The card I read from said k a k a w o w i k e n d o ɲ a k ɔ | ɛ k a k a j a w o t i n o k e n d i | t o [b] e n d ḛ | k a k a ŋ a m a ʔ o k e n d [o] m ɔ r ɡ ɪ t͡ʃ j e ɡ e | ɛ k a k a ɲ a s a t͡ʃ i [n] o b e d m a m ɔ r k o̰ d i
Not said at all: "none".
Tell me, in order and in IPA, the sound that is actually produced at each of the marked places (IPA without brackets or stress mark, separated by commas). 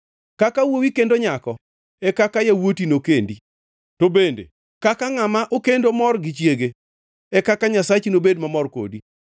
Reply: b, o, n